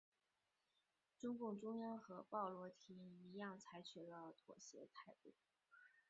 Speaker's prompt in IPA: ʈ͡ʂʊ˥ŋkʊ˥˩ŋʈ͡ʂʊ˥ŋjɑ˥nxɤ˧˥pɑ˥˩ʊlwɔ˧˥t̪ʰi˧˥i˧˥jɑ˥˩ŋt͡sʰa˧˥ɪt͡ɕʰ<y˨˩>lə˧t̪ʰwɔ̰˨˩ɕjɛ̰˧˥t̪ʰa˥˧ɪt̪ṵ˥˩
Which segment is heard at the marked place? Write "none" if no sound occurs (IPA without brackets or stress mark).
y˨˩